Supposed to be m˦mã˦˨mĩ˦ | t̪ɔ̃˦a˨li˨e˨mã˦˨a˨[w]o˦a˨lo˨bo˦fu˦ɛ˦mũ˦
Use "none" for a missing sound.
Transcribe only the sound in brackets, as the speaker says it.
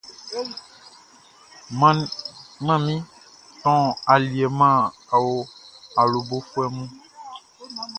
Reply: w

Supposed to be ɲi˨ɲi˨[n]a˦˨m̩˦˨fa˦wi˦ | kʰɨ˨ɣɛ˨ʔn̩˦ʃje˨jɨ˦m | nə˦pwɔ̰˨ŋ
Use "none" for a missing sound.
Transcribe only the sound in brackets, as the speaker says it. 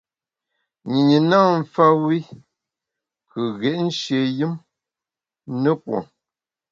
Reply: n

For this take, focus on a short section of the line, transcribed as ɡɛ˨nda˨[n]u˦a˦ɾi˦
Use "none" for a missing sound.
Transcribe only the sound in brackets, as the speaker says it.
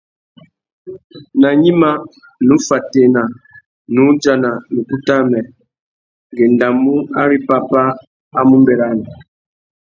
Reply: m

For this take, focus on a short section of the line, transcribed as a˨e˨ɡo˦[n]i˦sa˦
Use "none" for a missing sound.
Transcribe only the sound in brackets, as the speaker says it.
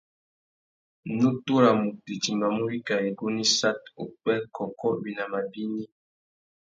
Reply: n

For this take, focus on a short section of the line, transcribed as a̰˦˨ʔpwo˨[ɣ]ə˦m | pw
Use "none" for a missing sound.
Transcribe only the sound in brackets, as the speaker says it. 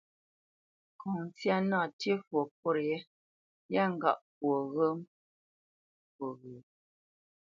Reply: ɣ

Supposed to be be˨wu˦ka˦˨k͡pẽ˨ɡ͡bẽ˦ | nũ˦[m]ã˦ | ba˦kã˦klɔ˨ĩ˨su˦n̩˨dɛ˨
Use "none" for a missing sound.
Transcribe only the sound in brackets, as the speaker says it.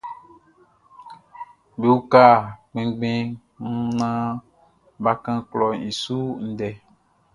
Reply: n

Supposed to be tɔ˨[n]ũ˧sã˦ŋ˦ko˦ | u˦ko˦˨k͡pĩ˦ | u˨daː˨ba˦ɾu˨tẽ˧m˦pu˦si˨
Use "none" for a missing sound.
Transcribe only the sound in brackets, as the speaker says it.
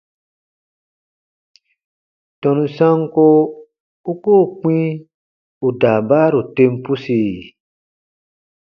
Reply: n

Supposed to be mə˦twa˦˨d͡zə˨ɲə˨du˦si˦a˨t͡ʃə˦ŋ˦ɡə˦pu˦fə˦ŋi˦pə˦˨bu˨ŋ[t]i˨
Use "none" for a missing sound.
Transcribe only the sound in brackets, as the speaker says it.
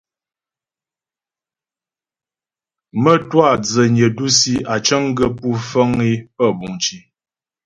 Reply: t͡ʃ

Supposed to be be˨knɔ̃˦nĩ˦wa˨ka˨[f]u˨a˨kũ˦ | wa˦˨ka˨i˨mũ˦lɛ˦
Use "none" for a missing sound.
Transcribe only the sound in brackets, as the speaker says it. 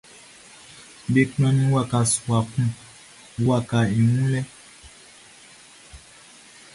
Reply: s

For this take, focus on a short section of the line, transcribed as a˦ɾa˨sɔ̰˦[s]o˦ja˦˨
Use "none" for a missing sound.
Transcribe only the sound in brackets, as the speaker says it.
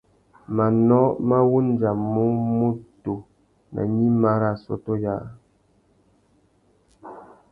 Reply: t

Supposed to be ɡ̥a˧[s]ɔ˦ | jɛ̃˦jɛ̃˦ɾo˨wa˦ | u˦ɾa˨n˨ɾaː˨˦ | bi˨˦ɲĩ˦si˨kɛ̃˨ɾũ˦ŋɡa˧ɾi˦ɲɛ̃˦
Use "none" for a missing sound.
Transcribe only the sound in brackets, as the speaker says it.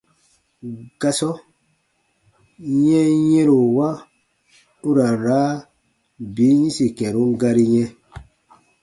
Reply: s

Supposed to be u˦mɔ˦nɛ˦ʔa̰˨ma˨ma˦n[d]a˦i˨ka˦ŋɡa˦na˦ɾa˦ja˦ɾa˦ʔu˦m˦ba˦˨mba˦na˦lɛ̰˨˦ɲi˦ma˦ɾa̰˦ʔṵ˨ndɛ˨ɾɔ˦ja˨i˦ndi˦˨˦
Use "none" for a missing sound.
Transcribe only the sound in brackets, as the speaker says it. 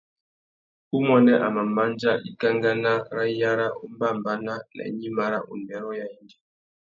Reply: d͡ʒ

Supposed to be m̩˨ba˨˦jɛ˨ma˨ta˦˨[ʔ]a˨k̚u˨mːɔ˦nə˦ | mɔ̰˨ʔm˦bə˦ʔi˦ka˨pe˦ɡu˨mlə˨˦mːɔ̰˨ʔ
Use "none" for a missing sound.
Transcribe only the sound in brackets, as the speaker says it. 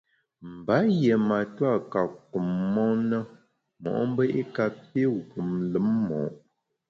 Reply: k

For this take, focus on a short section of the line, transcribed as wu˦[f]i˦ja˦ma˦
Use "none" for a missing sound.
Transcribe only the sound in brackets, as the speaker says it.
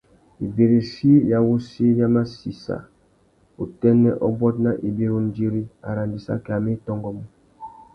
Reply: s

